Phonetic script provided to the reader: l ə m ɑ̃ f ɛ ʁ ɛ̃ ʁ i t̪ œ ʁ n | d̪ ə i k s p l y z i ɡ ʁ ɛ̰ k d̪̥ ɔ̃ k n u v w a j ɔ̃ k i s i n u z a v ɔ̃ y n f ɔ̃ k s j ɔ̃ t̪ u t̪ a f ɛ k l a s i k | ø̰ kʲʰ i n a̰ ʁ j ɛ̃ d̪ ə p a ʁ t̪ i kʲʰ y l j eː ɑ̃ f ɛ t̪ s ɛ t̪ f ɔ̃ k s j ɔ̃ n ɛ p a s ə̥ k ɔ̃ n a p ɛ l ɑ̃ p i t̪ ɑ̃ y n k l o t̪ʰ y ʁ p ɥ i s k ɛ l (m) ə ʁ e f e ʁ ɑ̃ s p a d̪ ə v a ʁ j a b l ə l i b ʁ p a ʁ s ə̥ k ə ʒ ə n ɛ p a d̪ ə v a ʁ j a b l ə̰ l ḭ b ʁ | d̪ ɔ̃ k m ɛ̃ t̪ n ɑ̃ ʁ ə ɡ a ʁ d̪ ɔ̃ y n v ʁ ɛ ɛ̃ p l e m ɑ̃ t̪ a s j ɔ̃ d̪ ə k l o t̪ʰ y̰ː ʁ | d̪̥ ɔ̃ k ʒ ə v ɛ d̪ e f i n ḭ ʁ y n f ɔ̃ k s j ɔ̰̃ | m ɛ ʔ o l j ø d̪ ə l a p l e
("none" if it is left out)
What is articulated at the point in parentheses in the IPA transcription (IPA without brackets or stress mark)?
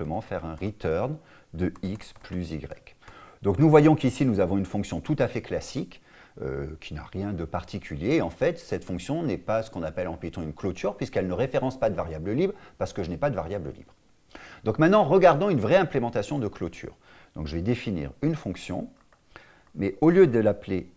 n